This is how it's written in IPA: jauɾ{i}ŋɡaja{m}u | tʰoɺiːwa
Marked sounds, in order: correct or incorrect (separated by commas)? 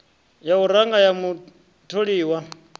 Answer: incorrect, correct